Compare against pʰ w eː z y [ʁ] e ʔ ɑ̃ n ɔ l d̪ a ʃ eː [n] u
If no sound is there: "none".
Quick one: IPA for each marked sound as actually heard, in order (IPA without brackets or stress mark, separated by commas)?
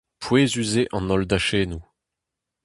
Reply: z, n